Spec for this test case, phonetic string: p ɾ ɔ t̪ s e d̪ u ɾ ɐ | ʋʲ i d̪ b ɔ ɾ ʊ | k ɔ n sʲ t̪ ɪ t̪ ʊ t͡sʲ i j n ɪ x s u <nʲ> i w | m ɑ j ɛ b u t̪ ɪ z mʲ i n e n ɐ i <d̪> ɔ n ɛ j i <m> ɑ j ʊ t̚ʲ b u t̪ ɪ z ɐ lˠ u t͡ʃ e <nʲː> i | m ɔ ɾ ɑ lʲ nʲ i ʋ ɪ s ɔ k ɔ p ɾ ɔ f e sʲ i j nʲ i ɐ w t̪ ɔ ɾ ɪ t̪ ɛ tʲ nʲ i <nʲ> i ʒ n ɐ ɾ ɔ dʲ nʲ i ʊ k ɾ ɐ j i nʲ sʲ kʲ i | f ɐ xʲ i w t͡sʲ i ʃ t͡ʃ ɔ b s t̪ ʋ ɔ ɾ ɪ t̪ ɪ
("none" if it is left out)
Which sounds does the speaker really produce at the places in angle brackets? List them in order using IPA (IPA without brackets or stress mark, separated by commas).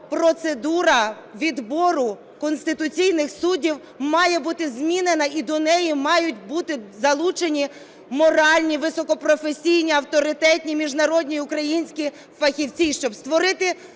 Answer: dʲ, d̪, m, nʲ, mʲ